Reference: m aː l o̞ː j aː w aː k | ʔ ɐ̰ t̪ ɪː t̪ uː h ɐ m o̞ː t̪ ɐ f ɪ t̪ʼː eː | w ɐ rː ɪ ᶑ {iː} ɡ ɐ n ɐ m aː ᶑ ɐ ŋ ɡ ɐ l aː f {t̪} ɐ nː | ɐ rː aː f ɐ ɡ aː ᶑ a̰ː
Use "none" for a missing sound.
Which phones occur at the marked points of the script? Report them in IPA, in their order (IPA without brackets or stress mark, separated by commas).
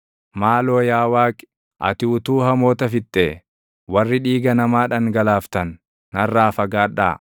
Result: iː, t̪